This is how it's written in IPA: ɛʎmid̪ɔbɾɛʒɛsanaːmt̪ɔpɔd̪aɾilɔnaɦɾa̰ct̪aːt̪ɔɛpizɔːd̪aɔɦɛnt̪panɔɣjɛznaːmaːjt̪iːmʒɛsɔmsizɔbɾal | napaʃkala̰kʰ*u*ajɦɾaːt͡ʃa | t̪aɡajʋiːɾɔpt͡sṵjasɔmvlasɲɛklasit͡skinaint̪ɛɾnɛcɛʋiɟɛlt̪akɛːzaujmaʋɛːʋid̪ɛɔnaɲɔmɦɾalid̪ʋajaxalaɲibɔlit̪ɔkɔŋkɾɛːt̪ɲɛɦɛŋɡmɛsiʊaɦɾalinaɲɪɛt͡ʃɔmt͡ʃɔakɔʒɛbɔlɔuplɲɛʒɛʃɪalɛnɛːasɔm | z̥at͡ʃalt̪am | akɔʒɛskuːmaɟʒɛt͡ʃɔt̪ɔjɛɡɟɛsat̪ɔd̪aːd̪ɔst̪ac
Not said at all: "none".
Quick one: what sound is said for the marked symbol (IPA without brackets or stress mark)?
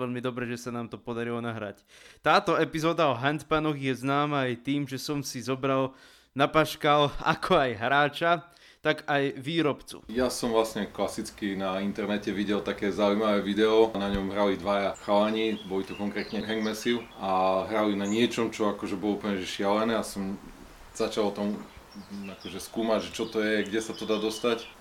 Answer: ɔ